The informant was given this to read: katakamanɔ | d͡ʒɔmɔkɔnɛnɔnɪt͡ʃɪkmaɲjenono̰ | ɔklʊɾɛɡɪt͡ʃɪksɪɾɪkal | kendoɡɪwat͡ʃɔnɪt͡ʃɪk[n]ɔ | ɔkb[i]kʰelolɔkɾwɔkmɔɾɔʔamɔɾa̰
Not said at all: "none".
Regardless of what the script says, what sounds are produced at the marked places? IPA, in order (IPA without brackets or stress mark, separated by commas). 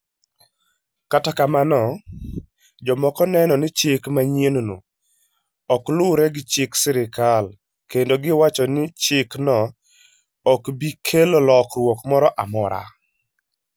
n, i